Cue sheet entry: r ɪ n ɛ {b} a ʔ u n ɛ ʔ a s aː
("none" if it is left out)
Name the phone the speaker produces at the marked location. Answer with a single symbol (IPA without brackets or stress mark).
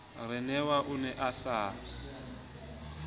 w